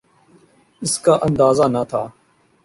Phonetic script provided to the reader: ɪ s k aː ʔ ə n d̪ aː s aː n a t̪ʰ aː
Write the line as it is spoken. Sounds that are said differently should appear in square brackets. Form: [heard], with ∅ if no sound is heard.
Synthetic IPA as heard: ɪ s k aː ʔ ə n d̪ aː [z] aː n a t̪ʰ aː